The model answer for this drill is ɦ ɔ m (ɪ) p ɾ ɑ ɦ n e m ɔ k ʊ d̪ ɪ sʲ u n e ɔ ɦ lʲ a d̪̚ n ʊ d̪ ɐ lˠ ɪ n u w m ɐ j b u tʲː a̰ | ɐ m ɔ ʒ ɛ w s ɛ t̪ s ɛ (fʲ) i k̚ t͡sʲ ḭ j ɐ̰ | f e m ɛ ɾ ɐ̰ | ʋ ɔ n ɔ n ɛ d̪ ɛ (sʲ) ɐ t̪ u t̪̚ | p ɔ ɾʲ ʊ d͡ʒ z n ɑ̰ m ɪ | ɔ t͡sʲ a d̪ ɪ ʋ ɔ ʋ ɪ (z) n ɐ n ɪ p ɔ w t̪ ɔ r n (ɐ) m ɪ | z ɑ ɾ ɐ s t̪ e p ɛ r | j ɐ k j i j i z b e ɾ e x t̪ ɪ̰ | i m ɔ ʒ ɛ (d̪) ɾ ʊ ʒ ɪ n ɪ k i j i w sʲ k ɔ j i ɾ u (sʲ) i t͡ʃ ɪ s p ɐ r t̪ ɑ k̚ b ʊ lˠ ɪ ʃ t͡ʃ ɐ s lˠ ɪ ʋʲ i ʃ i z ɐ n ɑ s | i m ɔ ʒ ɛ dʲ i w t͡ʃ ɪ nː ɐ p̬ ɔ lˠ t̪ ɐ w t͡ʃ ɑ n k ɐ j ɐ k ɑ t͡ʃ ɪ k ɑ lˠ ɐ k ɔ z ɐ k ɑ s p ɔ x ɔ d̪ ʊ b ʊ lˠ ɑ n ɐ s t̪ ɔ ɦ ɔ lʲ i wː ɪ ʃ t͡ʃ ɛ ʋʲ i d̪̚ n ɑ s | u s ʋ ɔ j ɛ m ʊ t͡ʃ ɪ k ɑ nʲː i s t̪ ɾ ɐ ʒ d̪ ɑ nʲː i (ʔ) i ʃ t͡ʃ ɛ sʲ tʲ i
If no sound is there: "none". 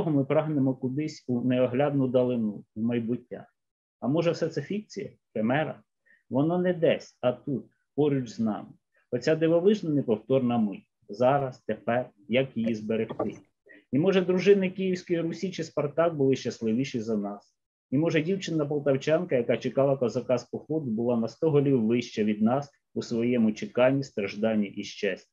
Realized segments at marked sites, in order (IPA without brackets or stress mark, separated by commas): ɪ, fʲ, sʲ, ʒ, ɐ, d̪, sʲ, ʔ